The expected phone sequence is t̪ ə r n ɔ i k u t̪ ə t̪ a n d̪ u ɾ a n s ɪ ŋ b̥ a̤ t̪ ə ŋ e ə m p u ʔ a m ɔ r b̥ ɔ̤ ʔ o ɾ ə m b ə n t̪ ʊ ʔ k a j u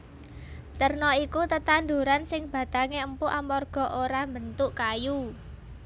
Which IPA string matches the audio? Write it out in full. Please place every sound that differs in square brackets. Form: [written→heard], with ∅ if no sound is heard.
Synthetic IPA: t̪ ə r n ɔ i k u t̪ ə t̪ a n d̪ u ɾ a n s ɪ ŋ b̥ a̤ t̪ [ə→a] ŋ e ə m p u ʔ a m ɔ r [b̥→ɡ̥] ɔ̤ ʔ o ɾ [ə→a] m b ə n t̪ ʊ ʔ k a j u